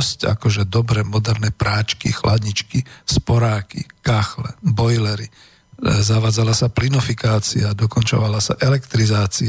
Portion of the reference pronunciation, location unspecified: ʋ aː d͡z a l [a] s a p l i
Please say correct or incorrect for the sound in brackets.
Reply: correct